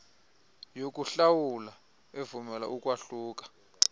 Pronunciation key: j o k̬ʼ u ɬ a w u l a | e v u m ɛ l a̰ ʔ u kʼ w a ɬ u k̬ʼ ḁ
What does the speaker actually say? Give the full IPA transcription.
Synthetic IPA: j o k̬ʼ u ɬ a w u l a | e v u m ɛ l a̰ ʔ u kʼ w a ɬ uː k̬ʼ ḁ

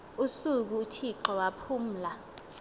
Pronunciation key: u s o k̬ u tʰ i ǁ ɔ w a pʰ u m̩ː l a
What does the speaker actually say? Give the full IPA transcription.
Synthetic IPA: u s u k̬ u tʰ i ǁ ɔ w a pʰ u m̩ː l a

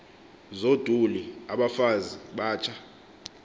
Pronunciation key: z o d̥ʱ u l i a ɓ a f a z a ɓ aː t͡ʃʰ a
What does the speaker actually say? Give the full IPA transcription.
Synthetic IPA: z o d̥ʱ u l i a ɓ a f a z i ɓ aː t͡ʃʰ a

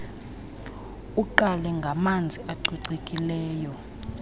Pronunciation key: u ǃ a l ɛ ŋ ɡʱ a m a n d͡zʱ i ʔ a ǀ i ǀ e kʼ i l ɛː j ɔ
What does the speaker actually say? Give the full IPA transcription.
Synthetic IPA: u ǃ a l ɛ ŋ ɡʱ a m a n d͡zʱ i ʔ a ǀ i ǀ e kʼ i l ɛː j ɔ

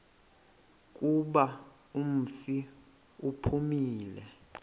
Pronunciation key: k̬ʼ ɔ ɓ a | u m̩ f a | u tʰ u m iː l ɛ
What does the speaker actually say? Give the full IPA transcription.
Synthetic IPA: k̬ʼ u ɓ a | u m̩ f i | u pʰ u m iː l ɛ

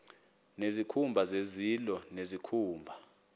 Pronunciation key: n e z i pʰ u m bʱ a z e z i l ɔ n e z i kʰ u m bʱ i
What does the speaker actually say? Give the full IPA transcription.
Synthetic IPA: n e z i kʰ u m bʱ a z e z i l ɔ n e z i kʰ uː m bʱ a

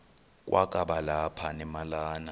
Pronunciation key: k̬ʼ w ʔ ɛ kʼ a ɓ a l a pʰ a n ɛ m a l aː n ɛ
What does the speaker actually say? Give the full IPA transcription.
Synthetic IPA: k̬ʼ w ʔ a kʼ a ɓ a l a pʰ a n ɛ m a l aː n a

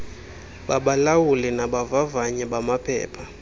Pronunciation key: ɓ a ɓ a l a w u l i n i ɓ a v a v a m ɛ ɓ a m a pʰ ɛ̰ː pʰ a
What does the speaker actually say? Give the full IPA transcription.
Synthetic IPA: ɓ a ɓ a l a w u l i n a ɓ a v a v a ɲ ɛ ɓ a m a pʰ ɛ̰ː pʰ a

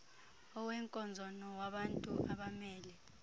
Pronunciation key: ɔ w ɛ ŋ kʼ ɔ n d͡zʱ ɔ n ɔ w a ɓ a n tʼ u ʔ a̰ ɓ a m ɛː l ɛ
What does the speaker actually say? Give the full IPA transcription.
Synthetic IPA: ɔ w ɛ ŋ kʼ ɔ n d͡zʱ ɔ n ɔ w a ɓ a n tʼ u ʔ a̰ ɓ a m ɛː l ɛ

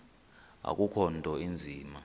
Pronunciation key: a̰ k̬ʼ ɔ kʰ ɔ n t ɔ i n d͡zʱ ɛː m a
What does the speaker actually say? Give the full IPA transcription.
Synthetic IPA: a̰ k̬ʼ u kʰ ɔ n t ɔ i n d͡zʱ iː m a

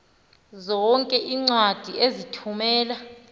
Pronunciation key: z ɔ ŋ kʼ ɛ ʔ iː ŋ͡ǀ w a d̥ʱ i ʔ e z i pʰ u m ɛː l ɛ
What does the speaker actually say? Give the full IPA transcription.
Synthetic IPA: z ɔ ŋ kʼ ɛ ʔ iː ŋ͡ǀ w a d̥ʱ i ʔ e z i tʰ u m ɛː l a

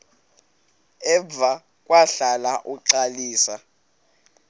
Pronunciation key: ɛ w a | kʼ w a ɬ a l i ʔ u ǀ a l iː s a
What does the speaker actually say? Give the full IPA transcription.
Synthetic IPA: ɛ v a | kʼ w a ɬ a l a ʔ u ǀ a l iː s a

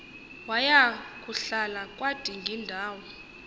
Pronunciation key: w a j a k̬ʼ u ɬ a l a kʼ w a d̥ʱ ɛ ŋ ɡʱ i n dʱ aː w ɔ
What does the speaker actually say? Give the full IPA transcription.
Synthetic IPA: w a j a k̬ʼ u ɬ a l a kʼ w a d̥ʱ i ŋ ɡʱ i n dʱ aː w ɔ

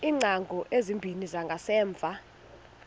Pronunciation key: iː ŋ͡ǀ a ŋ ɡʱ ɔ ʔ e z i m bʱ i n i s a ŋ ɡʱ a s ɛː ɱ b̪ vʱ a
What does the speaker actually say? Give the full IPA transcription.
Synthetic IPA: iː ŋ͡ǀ a ŋ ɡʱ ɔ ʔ e z i m bʱ i n i z a ŋ ɡʱ a s ɛː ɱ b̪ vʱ a

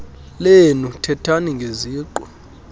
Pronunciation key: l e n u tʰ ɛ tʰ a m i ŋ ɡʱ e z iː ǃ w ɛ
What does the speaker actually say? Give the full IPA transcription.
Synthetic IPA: l e n u tʰ ɛ tʰ a n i ŋ ɡʱ e z iː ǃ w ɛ

